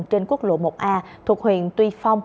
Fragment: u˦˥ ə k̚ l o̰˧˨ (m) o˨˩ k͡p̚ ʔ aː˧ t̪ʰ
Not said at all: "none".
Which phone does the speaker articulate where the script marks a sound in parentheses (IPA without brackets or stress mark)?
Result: m